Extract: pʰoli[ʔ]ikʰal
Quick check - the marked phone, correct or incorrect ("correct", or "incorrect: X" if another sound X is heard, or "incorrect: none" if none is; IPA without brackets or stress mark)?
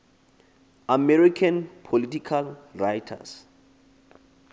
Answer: incorrect: t